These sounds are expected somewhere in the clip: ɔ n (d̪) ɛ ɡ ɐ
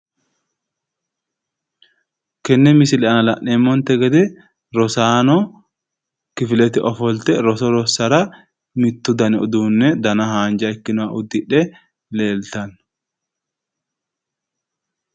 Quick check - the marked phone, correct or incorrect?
incorrect